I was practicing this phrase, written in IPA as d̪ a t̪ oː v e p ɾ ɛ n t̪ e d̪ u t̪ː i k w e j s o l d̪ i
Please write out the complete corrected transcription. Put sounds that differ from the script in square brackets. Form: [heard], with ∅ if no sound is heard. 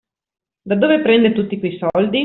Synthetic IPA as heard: d̪ a [d̪] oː v e p ɾ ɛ n [d̪] e [t̪] u t̪ː i k w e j s [ɔ] l d̪ i